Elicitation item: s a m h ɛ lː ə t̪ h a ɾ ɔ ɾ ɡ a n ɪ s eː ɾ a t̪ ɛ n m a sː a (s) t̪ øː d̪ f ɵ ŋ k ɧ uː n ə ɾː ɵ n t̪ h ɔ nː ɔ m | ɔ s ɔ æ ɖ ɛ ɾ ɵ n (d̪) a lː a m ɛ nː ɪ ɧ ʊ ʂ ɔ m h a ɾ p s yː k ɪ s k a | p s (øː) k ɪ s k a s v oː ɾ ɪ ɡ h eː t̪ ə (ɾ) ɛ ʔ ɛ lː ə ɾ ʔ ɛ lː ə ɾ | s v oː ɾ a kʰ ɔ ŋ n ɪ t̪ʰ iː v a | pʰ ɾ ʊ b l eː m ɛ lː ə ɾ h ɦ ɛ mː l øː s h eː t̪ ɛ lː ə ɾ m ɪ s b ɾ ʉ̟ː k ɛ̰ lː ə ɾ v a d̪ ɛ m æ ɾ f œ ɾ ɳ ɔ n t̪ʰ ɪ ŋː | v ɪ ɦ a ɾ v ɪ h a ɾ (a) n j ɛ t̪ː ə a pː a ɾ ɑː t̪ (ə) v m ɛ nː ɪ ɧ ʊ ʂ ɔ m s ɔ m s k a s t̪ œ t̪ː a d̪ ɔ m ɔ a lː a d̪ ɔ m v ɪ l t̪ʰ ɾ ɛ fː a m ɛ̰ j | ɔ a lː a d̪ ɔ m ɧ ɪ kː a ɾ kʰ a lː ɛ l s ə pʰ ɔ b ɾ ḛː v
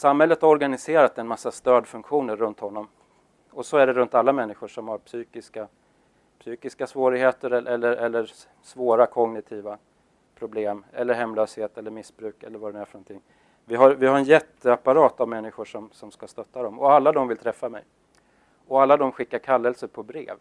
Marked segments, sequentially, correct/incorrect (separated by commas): correct, incorrect, incorrect, correct, incorrect, incorrect